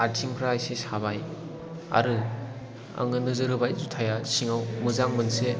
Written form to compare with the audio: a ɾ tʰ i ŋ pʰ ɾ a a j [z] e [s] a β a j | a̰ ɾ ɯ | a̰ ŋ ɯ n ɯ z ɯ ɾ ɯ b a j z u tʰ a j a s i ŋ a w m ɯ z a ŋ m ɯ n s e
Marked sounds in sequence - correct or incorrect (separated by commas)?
incorrect, correct